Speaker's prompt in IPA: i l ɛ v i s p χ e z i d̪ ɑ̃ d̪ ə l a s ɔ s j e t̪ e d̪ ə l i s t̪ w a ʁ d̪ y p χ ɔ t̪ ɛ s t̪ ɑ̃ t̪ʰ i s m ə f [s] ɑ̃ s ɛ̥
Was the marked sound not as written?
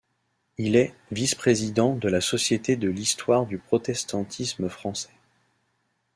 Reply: yes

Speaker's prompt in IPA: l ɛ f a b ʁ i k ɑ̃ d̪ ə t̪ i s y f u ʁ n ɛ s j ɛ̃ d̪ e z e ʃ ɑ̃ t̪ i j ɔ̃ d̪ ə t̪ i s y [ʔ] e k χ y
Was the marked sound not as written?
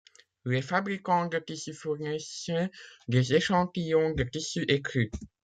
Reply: no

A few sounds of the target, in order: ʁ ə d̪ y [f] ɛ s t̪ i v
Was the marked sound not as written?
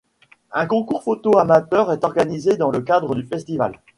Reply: no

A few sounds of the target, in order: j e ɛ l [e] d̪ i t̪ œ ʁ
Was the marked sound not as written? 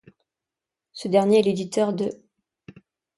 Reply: no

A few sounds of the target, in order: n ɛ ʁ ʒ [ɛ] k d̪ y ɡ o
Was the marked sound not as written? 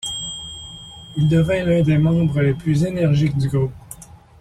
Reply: yes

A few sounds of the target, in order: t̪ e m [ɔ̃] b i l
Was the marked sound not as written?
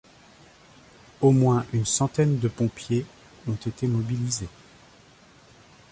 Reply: yes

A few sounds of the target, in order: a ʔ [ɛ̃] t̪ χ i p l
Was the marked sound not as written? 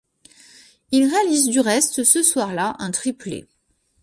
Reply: no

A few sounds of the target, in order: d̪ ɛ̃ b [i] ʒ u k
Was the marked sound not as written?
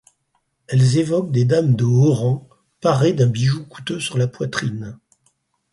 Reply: no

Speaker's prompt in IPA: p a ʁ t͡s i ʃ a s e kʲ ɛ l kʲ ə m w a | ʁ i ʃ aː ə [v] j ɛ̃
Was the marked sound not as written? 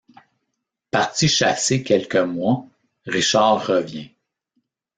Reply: no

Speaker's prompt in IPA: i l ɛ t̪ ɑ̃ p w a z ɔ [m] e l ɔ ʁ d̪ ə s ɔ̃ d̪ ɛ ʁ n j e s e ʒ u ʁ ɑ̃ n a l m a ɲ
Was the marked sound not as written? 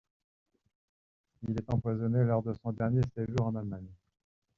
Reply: yes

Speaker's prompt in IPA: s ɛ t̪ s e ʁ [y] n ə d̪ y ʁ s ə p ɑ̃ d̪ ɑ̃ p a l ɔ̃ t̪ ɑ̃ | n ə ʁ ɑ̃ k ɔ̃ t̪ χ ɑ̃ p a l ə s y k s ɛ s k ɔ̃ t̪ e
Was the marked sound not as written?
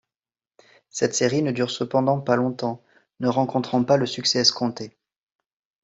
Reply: yes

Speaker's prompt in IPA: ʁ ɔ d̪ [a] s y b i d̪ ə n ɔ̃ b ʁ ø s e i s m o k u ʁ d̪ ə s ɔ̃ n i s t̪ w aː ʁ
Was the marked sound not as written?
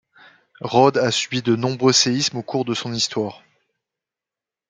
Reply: no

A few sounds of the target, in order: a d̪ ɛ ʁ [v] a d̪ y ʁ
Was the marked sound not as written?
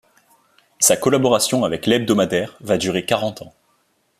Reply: no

